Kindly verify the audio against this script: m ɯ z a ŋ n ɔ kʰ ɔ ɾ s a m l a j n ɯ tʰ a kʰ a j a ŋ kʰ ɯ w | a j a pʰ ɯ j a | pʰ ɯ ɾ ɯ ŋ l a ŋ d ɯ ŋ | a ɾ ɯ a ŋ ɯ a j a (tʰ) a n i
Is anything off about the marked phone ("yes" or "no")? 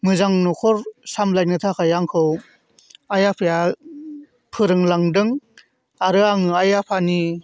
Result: yes